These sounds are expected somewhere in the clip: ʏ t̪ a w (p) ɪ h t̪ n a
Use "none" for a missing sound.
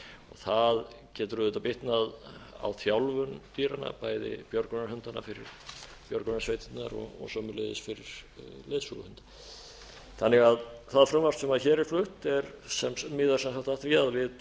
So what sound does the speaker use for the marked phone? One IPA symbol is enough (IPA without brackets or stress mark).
p